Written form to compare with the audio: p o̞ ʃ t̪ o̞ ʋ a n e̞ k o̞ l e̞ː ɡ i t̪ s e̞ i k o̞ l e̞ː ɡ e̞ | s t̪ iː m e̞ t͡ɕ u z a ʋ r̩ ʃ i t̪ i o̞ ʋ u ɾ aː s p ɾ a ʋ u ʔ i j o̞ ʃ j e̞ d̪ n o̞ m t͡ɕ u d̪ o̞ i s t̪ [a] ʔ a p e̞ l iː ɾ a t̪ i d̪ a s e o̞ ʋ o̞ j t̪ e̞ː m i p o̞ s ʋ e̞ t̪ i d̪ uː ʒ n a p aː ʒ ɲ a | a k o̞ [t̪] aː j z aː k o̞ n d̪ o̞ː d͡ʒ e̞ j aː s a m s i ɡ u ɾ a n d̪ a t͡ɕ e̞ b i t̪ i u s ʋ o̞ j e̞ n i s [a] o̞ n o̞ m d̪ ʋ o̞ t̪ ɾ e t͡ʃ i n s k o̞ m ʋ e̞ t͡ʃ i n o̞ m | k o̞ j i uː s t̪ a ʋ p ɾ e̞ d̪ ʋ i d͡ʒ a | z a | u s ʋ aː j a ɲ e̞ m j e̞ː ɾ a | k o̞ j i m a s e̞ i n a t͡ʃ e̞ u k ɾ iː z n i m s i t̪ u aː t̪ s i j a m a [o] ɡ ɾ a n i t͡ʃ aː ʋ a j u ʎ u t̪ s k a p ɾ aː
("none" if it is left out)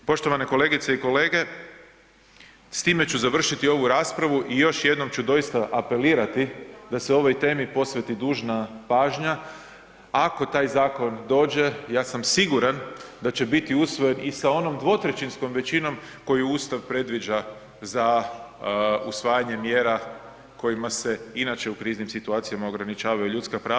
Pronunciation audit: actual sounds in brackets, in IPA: a, t̪, a, o

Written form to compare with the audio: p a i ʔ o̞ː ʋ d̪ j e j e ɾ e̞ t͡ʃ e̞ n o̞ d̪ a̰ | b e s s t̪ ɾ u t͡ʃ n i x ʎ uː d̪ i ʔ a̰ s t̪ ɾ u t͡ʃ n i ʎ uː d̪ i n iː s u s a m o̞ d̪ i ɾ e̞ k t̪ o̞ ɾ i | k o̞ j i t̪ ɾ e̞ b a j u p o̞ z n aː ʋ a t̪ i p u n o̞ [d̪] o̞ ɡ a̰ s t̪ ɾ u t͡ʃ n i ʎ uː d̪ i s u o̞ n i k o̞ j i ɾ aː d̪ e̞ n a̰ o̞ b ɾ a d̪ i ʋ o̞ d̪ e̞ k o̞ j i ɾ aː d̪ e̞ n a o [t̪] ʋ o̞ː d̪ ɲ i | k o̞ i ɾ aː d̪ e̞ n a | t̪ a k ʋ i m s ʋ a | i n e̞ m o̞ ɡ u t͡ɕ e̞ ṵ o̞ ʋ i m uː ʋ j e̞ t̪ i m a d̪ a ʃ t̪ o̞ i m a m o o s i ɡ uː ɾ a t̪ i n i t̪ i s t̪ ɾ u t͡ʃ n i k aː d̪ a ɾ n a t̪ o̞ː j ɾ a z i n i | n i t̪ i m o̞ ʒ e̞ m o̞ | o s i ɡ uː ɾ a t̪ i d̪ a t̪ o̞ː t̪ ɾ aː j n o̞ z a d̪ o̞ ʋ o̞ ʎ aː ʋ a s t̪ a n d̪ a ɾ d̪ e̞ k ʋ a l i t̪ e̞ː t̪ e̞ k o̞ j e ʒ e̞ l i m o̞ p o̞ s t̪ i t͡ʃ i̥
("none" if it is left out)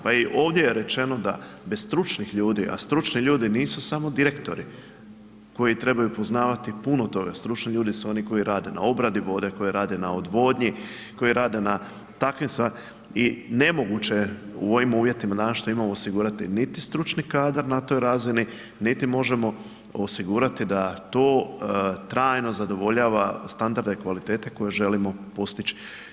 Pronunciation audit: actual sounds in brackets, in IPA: t̪, d̪

